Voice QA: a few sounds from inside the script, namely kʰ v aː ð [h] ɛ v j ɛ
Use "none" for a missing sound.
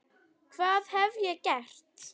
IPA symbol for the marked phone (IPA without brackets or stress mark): h